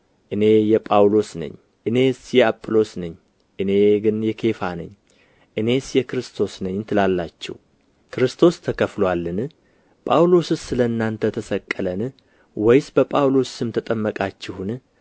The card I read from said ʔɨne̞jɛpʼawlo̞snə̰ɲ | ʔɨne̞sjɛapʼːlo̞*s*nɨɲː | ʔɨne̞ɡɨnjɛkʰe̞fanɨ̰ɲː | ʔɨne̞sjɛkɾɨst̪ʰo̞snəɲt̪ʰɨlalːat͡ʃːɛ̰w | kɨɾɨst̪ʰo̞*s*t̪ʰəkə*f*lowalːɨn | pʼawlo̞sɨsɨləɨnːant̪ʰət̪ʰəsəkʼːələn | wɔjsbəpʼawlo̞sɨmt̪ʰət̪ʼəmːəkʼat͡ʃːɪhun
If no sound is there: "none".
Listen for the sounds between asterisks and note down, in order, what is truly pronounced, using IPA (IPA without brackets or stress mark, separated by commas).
s, s, f